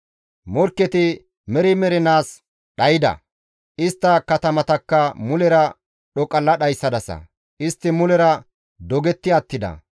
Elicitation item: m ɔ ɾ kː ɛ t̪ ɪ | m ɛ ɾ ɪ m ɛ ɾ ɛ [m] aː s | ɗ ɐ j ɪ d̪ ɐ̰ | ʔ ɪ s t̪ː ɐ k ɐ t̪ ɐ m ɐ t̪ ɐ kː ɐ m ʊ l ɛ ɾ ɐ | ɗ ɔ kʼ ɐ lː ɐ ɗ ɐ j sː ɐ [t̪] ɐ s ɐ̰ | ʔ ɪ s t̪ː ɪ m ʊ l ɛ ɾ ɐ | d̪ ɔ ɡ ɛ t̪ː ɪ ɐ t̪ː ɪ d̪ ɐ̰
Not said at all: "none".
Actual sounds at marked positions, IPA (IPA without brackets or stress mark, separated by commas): n, d̪